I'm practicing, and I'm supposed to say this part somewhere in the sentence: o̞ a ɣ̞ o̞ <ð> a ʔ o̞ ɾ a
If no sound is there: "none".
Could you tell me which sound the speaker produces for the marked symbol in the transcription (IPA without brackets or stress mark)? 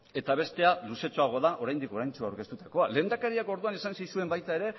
ð